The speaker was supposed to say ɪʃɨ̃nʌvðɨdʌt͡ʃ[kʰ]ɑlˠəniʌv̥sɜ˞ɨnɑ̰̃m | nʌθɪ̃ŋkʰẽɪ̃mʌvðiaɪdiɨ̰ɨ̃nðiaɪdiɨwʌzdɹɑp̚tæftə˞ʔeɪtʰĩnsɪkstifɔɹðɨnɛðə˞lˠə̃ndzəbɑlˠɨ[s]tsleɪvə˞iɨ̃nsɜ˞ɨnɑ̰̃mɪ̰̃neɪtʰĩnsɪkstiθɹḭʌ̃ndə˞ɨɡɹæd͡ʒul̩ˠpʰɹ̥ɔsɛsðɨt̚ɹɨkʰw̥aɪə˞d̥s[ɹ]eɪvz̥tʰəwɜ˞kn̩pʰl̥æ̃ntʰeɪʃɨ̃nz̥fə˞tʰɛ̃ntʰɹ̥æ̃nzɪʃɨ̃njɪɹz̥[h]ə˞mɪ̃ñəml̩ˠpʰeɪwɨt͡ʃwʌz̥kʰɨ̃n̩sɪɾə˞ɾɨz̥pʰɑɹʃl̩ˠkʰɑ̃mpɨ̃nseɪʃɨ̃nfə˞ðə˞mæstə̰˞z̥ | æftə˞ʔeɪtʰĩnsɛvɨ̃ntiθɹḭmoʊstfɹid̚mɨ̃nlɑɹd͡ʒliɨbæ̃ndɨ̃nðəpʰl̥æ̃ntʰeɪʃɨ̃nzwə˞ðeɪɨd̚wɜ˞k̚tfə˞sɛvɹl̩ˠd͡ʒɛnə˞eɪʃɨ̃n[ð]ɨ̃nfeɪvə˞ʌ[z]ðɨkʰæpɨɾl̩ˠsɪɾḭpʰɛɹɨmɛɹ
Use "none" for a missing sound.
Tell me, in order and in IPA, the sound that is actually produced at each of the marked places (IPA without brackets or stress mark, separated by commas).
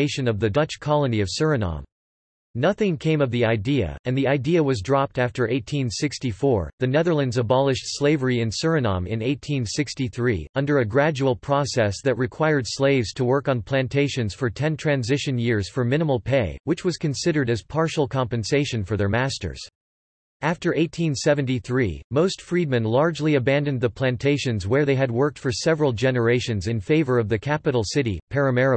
kʰ, ʃ, l, f, z, v